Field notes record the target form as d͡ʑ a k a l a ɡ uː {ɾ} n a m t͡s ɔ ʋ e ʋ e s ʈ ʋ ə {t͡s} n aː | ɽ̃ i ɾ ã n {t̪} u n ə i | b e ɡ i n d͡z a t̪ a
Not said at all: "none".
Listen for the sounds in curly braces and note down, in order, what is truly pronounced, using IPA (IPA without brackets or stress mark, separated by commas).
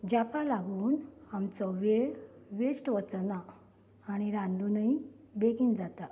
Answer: none, t͡s, d̪